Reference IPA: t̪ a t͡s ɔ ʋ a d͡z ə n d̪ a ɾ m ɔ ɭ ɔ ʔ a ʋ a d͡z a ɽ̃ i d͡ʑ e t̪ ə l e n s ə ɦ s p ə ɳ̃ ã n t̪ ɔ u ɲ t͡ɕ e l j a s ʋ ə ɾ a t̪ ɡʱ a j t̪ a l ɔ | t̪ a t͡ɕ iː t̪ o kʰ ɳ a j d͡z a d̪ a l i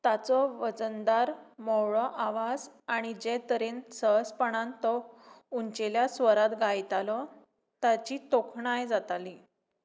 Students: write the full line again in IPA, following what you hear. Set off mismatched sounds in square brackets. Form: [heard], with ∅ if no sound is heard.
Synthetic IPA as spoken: t̪ a t͡s ɔ ʋ [ə] d͡z ə n d̪ a ɾ m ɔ ɭ ɔ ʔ a ʋ a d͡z a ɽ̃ i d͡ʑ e t̪ ə [ɾ] e n s ə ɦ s p ə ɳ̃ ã n t̪ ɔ u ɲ t͡ɕ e l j a s ʋ ə ɾ a t̪ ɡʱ a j t̪ a l ɔ | t̪ a t͡ɕ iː t̪ o kʰ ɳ a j d͡z a [t̪] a l i